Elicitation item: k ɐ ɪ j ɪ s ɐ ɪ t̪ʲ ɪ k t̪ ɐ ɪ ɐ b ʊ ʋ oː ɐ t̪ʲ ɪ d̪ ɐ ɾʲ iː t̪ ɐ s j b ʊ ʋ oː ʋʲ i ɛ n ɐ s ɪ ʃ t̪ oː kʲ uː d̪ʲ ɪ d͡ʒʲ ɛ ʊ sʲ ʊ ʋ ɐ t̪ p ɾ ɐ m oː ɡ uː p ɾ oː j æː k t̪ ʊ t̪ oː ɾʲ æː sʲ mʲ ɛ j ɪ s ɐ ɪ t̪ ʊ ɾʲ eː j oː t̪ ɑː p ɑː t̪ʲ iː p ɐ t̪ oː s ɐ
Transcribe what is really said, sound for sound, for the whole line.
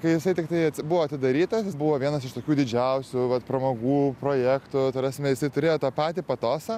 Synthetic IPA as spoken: k ɐ ɪ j ɪ s ɐ ɪ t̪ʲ ɪ k t̪ ɐ ɪ ɐ b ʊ ʋ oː ɐ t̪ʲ ɪ d̪ ɐ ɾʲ iː t̪ ɐ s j b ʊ ʋ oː ʋʲ i ɛ n ɐ s ɪ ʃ t̪ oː kʲ uː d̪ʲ ɪ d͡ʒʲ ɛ ʊ sʲ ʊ ʋ ɐ t̪ p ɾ ɐ m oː ɡ uː p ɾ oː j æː k t̪ ʊ t̪ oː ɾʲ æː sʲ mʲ ɛ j ɪ s ɐ ɪ t̪ ʊ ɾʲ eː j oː t̪ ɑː p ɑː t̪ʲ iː p ɐ t̪ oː s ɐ

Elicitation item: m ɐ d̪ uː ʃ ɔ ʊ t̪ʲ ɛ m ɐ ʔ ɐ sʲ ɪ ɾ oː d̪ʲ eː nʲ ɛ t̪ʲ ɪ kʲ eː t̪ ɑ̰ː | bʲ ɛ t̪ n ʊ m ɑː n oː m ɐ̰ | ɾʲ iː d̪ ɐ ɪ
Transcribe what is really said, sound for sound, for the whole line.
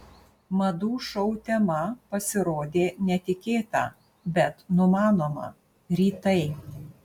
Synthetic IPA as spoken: m ɐ d̪ uː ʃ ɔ ʊ t̪ʲ ɛ m ɐ p ɐ sʲ ɪ ɾ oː d̪ʲ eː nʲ ɛ t̪ʲ ɪ kʲ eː t̪ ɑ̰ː | bʲ ɛ t̪ n ʊ m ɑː n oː m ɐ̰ | ɾʲ iː t̪ ɐ ɪ

